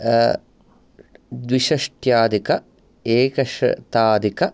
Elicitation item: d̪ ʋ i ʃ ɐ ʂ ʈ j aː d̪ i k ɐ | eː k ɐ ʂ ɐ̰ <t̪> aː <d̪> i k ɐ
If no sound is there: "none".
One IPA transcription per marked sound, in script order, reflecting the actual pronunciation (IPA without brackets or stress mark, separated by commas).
t̪, d̪